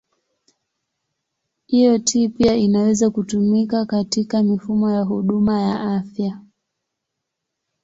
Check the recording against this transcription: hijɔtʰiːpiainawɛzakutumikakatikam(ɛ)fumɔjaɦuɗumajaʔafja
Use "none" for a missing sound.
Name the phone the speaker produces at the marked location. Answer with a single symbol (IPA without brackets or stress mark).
i